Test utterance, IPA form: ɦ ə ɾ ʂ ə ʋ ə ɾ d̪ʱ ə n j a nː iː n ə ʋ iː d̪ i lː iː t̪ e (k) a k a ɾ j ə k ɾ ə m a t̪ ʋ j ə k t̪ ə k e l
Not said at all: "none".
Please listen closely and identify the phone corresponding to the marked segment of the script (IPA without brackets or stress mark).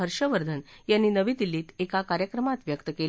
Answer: k